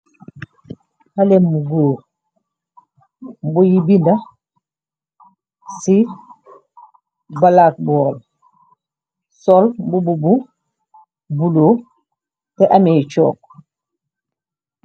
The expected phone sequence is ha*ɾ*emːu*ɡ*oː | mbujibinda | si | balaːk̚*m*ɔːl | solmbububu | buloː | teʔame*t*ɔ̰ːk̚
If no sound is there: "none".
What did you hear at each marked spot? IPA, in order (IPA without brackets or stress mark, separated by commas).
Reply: l, ɡ, b, t͡ʃ